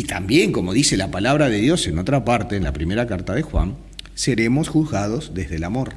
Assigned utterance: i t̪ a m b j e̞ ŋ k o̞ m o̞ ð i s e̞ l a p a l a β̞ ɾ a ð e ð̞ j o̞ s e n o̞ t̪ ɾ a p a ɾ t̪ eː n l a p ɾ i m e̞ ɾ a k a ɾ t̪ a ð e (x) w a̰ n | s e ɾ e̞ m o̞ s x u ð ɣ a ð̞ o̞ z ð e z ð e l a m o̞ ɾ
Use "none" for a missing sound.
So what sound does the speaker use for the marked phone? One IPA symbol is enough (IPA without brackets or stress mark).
x